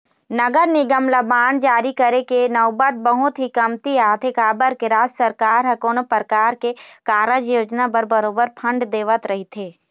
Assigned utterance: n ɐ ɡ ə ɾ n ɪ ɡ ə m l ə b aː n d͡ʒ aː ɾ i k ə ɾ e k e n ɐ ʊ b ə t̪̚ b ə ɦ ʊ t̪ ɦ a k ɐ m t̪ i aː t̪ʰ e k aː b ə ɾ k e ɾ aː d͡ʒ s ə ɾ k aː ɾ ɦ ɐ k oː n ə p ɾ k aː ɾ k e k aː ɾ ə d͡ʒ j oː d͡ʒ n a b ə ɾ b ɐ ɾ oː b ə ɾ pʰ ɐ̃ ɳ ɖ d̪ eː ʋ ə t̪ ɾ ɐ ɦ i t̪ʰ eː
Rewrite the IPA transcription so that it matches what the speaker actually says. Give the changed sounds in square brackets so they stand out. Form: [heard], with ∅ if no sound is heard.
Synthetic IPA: n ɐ ɡ ə ɾ n ɪ ɡ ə m l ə b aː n d͡ʒ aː ɾ i k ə ɾ e k e n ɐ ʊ b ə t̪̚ b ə ɦ ʊ t̪ ɦ [i] k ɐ m t̪ i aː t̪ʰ e k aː b ə ɾ k e ɾ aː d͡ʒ s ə ɾ k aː ɾ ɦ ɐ k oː n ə p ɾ k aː ɾ k e k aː ɾ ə d͡ʒ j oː d͡ʒ n a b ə ɾ b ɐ ɾ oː b ə ɾ pʰ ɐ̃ ɳ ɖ d̪ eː ʋ ə t̪ ɾ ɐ ɦ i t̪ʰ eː